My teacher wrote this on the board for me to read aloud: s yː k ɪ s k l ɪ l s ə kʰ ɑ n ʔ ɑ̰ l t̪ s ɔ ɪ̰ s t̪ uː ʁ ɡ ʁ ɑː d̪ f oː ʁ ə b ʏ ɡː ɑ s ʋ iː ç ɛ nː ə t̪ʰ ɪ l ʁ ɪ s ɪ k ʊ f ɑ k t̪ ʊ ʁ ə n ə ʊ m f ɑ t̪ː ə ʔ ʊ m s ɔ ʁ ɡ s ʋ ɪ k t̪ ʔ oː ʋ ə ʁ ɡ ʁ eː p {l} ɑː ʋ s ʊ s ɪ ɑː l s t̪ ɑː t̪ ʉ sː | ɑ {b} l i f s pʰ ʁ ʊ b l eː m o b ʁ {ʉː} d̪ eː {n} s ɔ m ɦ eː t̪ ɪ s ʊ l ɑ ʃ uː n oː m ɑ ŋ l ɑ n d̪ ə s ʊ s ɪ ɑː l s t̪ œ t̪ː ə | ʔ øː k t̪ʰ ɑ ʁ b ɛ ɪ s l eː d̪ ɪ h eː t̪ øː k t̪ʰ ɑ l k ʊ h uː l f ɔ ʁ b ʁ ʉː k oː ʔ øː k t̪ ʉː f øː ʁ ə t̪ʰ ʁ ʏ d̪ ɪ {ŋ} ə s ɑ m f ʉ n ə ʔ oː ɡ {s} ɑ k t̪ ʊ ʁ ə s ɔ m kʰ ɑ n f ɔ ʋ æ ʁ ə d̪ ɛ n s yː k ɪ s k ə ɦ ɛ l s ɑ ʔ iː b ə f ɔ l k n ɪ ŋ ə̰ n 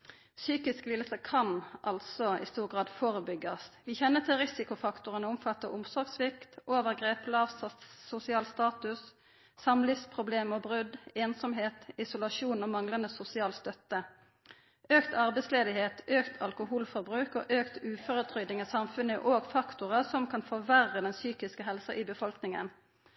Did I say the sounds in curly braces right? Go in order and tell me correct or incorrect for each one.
correct, incorrect: m, incorrect: ʉ, correct, correct, incorrect: f

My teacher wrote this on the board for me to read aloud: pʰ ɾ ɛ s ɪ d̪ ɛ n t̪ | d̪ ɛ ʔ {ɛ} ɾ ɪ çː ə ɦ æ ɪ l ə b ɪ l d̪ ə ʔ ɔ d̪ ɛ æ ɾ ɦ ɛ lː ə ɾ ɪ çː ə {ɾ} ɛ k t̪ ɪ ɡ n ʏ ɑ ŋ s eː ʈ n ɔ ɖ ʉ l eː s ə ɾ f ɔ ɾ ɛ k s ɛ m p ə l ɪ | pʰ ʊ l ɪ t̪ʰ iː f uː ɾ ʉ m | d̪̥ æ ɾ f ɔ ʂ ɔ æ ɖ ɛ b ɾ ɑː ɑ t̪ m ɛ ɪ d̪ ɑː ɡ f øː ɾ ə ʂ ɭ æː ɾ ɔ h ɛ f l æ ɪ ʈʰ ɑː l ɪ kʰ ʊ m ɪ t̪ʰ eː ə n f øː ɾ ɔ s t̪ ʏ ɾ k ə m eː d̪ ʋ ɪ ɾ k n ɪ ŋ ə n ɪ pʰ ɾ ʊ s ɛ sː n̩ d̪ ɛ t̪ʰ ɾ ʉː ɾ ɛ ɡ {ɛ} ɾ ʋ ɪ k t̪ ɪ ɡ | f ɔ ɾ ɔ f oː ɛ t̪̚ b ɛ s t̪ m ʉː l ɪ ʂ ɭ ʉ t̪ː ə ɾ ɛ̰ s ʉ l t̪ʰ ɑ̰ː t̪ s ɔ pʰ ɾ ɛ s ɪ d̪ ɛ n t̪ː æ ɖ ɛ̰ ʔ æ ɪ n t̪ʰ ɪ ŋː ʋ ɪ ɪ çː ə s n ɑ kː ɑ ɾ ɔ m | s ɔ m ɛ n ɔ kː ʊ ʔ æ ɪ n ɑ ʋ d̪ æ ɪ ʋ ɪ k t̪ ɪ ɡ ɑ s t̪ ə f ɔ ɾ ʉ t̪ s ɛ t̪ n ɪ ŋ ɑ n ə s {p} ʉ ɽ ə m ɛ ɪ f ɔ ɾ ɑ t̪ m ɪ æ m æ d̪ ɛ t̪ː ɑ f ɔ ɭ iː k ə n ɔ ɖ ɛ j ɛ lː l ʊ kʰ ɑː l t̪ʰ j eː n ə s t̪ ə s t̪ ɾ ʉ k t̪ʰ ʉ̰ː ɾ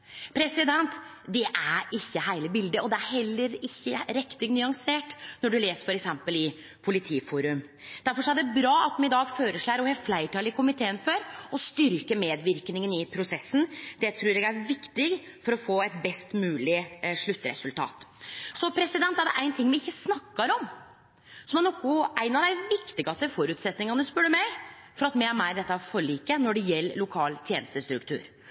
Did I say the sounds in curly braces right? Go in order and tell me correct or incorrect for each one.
incorrect: æ, correct, incorrect: æ, correct

